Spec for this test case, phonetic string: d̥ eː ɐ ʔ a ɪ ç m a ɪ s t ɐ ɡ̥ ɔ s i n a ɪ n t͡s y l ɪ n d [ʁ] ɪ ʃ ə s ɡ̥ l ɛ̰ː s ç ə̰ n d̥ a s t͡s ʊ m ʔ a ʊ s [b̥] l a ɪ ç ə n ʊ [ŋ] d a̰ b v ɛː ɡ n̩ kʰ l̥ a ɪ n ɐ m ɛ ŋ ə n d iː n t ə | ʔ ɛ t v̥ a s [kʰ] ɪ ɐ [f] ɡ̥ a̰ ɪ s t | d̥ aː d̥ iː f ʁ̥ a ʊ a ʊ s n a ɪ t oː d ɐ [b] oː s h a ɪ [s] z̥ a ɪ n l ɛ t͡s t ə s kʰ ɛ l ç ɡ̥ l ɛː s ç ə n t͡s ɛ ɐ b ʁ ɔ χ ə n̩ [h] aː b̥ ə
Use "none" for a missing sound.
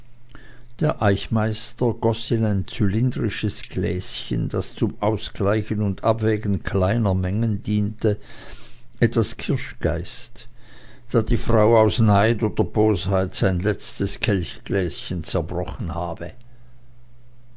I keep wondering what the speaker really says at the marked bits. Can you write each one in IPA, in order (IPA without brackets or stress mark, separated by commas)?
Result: ʁ, ɡ̥, n, kʰ, ʃ, b, t, h